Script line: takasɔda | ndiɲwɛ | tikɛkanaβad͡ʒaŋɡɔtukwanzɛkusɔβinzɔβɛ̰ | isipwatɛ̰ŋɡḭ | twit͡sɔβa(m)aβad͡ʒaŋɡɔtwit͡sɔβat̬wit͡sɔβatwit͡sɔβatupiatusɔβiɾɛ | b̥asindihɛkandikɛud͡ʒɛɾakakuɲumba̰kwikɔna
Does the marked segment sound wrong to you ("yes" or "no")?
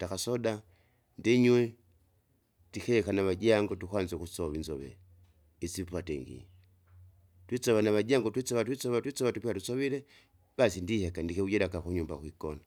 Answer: yes